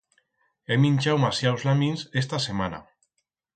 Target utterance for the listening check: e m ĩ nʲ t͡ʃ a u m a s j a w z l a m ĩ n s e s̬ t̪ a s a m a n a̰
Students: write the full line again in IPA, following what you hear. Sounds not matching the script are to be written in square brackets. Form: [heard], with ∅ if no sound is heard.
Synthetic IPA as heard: e m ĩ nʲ t͡ʃ a [w] m a s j a w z l a m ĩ n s e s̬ t̪ a s [e] m a n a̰